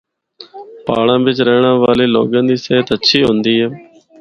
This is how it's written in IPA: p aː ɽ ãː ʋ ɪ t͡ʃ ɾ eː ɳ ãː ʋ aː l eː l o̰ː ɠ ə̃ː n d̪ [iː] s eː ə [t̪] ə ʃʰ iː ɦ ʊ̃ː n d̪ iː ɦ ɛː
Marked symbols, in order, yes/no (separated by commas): yes, yes